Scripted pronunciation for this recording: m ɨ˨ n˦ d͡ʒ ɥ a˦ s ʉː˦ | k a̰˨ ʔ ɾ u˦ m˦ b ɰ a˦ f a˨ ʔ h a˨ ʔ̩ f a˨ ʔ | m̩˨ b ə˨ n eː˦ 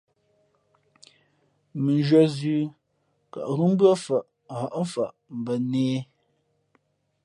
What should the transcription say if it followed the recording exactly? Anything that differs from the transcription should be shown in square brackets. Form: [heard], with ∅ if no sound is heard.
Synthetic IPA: m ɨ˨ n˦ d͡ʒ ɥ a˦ [z] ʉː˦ | k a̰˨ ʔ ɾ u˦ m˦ b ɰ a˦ f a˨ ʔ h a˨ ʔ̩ f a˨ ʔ | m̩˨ b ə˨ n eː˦